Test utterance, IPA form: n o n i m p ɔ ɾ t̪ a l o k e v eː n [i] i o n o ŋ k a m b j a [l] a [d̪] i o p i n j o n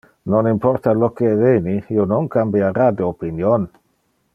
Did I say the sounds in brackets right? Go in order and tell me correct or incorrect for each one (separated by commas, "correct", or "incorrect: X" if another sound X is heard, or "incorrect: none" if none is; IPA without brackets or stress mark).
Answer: correct, incorrect: ɾ, correct